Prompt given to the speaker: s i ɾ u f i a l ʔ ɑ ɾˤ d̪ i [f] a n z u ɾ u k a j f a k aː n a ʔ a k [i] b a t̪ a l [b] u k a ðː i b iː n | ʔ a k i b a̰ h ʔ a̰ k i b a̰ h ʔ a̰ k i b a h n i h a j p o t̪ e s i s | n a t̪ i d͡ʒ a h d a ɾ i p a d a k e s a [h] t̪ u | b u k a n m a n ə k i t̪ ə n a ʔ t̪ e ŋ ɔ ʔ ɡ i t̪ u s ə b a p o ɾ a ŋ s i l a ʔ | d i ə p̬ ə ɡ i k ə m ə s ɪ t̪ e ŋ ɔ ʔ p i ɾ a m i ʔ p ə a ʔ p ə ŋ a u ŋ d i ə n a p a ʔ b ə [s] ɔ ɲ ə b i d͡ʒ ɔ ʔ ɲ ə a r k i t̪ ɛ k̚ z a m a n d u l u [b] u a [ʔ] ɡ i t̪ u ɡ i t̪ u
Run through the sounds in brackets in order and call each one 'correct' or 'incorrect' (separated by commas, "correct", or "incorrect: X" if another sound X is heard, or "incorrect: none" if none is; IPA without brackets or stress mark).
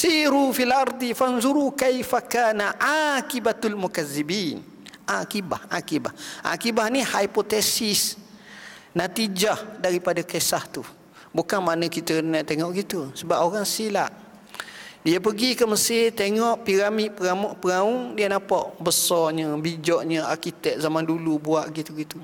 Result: correct, correct, incorrect: m, correct, correct, correct, correct